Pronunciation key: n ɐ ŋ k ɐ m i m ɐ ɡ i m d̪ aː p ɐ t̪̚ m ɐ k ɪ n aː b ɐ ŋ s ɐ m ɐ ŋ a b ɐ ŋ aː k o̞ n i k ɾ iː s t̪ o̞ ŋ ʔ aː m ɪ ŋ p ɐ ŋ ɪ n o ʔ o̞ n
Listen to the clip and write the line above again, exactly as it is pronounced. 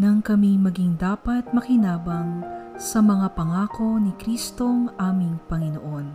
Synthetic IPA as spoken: n ɐ ŋ k ɐ m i m ɐ ɡ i ŋ d̪ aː p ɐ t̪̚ m ɐ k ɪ n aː b ɐ ŋ s ɐ m ɐ ŋ a p ɐ ŋ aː k o̞ n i k ɾ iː s t̪ o̞ ŋ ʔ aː m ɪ ŋ p ɐ ŋ ɪ n o ʔ o̞ n